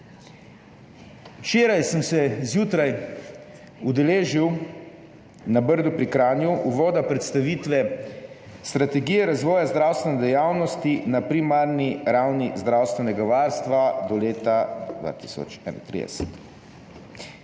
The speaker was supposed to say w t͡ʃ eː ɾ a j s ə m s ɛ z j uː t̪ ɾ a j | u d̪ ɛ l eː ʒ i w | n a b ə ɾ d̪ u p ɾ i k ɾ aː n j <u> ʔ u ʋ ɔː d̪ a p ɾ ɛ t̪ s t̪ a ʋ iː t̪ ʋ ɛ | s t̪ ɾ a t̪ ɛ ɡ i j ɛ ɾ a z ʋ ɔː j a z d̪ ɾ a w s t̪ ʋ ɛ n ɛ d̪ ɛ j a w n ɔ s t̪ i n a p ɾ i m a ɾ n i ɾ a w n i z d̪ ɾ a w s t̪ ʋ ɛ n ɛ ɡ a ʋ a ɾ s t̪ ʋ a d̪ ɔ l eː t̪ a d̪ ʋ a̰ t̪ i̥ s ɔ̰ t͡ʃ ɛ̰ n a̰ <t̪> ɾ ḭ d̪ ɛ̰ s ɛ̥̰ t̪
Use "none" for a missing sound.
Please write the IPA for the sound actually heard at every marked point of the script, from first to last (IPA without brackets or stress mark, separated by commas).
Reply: u, t̪